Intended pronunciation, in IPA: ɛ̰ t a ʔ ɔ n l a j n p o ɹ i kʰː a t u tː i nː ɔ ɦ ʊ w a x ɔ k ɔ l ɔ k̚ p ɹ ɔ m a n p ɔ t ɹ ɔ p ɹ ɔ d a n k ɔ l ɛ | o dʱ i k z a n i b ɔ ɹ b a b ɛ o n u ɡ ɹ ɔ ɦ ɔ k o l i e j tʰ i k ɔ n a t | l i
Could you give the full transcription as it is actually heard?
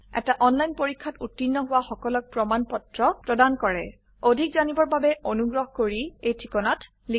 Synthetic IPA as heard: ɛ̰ t a ʔ ɔ n l a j n p o ɹ i kʰː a t u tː i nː ɔ ɦ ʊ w a x ɔ k ɔ l ɔ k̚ p ɹ ɔ m a n p ɔ t ɹ ɔ p ɹ ɔ d a n k ɔ ɹ ɛ | o dʱ i k z a n i b ɔ ɹ b a b ɛ o n u ɡ ɹ ɔ ɦ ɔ k o ɹ i e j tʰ i k ɔ n a t | l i